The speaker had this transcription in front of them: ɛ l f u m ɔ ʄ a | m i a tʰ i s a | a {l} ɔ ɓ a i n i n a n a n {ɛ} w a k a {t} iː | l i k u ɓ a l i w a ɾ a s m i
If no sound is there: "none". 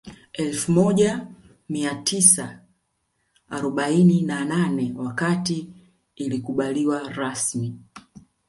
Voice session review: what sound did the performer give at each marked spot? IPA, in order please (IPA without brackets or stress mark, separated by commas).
ɾ, ɛ, t